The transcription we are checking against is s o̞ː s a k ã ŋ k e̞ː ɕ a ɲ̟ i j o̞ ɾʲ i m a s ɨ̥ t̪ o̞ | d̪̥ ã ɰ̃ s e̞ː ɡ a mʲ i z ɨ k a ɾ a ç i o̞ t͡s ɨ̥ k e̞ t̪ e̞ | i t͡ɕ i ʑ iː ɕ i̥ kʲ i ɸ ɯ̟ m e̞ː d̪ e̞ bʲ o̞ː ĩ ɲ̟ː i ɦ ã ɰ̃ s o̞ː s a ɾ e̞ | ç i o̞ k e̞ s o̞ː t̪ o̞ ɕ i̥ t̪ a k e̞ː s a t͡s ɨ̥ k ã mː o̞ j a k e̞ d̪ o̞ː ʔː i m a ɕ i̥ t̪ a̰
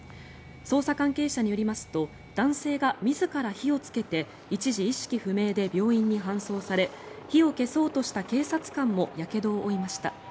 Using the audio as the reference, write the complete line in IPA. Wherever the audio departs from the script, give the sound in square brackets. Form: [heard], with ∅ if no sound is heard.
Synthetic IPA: s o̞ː s a k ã ŋ k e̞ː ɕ a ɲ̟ i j o̞ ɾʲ i m a s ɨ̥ t̪ o̞ | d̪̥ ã ɰ̃ s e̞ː ɡ a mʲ i z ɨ k a ɾ a ç i o̞ t͡s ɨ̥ k e̞ t̪ e̞ | i t͡ɕ i ʑ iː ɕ i̥ kʲ i ɸ ɯ̟ m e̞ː d̪ e̞ bʲ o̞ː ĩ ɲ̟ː i ɦ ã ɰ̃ s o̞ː s a ɾ e̞ | ç i o̞ k e̞ s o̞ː t̪ o̞ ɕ i̥ t̪ a k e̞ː s a t͡s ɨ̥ k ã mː o̞ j a k e̞ d̪ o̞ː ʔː i m a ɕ i̥ t̪ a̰